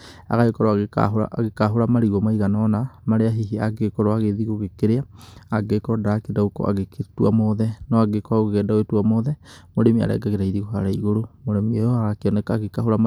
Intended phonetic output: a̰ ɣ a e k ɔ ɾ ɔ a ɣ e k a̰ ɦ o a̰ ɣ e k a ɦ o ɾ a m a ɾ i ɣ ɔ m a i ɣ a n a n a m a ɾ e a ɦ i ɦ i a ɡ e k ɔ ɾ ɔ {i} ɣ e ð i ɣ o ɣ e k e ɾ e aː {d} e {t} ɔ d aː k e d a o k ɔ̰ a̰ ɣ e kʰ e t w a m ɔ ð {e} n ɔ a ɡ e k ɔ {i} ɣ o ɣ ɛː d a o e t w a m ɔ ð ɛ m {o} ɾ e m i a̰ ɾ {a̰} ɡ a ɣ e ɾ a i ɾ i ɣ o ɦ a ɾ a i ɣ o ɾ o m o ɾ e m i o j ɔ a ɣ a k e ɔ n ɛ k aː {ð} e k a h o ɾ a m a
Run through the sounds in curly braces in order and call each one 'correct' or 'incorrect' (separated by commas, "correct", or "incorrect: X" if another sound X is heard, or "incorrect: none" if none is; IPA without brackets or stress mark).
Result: incorrect: a, incorrect: ɡ, incorrect: k, incorrect: ɛ, incorrect: a, correct, incorrect: ɛ̰, incorrect: ɣ